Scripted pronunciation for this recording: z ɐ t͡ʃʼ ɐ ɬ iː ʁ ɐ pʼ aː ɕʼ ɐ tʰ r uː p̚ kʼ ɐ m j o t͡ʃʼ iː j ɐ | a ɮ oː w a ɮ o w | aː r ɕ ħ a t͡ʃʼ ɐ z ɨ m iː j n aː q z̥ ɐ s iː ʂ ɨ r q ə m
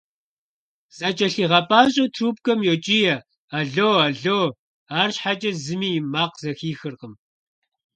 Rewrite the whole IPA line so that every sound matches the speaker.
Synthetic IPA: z ɐ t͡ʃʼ ɐ ɬ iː ʁ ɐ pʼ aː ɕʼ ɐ tʰ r uː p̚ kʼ ɐ m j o t͡ʃʼ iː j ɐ | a ɮ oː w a ɮ o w | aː r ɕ ħ a t͡ʃʼ ɐ z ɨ m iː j m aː q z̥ ɐ x iː x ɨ r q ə m